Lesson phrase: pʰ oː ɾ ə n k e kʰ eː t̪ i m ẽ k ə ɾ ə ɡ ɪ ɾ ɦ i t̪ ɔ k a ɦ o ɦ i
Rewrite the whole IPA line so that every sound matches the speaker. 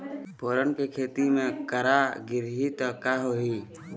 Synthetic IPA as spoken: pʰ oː ɾ ə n k e kʰ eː t̪ i m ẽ k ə ɾ a ɡ ɪ ɾ ɦ i t̪ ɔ k a ɦ o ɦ i